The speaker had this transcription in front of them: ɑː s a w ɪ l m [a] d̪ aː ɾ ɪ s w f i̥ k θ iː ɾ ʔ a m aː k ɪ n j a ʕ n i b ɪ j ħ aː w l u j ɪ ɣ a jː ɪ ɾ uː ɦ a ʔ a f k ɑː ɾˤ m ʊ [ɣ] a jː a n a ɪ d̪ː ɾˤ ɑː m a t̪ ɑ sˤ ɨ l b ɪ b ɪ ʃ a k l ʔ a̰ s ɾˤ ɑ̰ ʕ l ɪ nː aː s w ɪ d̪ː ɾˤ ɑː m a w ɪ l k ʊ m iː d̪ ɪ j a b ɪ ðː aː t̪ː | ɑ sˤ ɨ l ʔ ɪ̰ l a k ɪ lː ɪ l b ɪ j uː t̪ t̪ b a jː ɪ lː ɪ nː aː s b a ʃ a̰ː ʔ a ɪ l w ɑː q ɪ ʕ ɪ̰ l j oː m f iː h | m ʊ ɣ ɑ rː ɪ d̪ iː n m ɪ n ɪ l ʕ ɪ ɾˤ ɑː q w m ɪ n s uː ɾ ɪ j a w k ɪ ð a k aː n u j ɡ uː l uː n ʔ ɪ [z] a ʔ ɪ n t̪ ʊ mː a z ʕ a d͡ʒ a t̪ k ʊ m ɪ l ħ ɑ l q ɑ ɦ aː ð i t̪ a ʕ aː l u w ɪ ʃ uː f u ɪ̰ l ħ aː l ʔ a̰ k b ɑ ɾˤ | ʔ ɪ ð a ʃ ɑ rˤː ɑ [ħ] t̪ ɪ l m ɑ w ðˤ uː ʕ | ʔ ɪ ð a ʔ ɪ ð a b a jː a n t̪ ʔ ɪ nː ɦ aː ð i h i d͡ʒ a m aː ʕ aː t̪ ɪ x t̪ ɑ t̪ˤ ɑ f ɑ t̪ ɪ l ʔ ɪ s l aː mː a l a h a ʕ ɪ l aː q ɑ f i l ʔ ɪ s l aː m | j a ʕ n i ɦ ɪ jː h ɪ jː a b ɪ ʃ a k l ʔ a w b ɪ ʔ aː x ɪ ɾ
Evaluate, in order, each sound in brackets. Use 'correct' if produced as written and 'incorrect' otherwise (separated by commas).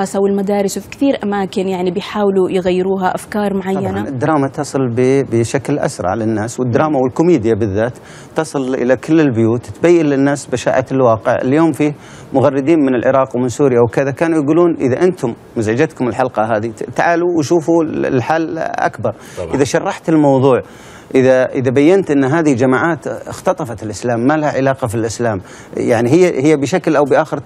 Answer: correct, incorrect, incorrect, correct